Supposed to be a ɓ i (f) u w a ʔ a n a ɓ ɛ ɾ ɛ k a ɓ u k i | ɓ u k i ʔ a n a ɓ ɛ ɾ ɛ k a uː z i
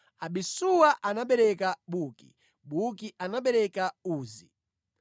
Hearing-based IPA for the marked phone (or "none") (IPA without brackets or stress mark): s